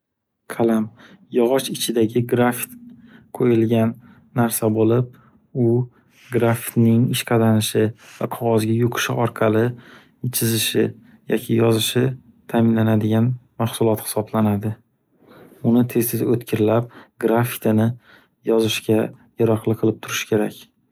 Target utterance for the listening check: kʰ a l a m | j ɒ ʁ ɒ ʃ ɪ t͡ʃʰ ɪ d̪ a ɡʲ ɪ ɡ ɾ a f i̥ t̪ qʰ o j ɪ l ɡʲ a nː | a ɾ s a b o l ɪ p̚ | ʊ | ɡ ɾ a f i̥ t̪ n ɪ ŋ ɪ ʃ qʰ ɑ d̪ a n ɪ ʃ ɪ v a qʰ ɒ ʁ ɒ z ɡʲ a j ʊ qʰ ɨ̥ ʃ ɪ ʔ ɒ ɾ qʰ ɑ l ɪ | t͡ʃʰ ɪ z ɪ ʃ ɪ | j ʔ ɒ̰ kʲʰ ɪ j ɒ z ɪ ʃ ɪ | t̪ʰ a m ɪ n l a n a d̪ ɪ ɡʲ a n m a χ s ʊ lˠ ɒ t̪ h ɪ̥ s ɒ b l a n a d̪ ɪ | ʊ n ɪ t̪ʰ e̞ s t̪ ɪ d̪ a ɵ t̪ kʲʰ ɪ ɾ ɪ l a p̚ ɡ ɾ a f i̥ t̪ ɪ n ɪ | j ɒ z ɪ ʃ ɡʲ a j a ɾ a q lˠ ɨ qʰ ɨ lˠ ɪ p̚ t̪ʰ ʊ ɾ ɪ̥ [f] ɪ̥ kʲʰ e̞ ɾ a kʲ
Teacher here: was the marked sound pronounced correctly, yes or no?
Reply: no